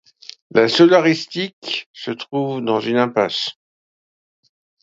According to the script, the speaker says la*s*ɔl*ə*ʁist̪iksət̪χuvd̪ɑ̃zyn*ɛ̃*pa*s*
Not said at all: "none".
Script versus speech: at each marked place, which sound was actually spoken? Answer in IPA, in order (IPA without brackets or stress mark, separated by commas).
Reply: s, a, ɛ̃, s